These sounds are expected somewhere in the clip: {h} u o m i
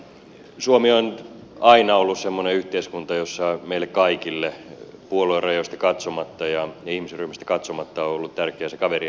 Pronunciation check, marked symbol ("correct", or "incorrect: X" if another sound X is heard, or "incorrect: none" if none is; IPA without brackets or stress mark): incorrect: s